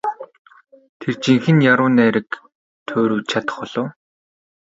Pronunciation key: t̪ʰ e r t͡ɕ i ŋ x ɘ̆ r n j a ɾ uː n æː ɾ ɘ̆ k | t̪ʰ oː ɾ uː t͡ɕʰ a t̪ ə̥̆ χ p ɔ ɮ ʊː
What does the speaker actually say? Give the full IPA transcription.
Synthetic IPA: t̪ʰ e r t͡ɕ i ŋ x ɘ̆ n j a ɾ ʊː n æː ɾ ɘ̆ k | t̪ʰ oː ɾ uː t͡ɕʰ a t̪ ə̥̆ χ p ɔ ɮ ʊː